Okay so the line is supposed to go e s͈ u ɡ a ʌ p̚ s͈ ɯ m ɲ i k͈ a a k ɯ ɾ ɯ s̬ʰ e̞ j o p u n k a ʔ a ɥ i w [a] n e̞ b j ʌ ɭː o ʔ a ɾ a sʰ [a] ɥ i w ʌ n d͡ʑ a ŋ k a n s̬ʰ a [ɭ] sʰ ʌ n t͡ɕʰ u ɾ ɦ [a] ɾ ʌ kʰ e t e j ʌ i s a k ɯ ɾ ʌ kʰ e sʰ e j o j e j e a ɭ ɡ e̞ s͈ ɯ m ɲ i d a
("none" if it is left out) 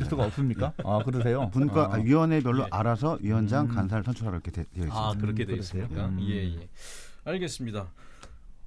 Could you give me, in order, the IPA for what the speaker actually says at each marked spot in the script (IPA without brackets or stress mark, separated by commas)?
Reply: ʌ, ʌ, ɭ, a